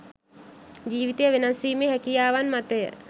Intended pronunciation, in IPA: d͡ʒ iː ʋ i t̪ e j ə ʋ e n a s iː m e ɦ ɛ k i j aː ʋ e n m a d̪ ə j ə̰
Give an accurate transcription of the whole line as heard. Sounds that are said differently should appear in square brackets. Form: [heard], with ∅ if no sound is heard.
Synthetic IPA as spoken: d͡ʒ iː ʋ i t̪ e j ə ʋ e n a s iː m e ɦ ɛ k i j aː ʋ [a] n m a [t̪] ə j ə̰